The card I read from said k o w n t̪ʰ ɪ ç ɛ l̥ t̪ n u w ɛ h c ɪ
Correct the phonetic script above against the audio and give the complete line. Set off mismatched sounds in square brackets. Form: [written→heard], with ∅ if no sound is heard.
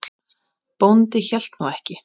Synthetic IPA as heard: [k→p] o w n [t̪ʰ→t̪] ɪ ç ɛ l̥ t̪ n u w ɛ h c ɪ